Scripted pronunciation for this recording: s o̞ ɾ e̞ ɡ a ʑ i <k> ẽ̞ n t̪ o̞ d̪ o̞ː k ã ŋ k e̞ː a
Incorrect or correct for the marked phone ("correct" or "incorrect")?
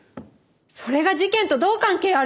correct